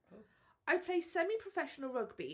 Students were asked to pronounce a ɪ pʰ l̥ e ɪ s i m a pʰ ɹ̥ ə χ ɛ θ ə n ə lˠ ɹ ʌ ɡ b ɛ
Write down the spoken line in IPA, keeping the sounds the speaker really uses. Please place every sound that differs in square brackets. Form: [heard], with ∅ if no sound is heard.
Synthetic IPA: a ɪ pʰ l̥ e ɪ s [ɛ] m [i] pʰ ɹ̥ ə [f] ɛ [ʃ] ə n ə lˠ ɹ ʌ ɡ b [i]